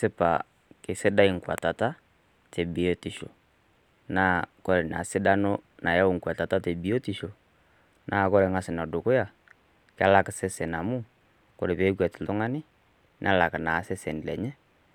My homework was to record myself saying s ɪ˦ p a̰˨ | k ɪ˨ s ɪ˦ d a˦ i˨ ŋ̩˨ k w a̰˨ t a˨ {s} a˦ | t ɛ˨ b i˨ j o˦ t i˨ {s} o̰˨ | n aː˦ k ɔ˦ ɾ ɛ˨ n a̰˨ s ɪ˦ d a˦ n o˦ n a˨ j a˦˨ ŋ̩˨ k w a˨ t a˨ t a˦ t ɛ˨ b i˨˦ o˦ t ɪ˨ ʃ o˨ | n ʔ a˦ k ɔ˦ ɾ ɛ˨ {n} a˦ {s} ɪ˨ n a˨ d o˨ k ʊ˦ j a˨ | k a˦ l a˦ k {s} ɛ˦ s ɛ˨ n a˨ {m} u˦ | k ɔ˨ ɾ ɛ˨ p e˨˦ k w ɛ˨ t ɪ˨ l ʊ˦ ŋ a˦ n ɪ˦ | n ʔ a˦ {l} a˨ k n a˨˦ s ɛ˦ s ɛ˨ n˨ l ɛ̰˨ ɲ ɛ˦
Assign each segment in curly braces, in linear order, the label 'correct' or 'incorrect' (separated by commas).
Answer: incorrect, incorrect, incorrect, correct, correct, correct, correct